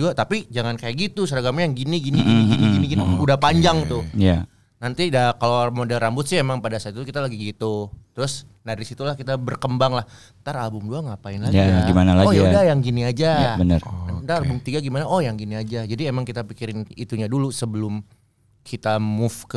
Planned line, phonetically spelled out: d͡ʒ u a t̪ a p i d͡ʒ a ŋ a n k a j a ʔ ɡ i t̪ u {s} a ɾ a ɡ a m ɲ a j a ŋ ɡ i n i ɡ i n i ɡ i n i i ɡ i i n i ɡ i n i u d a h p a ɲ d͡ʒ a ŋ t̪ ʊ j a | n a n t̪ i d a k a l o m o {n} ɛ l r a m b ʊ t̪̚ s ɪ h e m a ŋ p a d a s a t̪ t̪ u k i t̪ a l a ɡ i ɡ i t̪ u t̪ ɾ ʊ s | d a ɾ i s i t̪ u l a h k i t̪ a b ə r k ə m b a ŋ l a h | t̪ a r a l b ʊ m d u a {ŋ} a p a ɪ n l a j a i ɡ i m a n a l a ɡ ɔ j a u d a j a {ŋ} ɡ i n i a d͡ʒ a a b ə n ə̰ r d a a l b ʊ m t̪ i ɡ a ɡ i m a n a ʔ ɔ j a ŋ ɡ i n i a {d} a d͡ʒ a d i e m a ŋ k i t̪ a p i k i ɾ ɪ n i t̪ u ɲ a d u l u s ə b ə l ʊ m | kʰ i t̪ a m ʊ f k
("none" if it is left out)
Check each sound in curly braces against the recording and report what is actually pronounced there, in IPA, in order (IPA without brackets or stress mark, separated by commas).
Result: s, d, ŋ, ŋ, d͡ʒ